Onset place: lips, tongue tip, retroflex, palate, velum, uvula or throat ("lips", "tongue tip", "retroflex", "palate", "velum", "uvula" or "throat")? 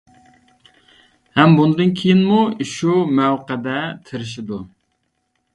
throat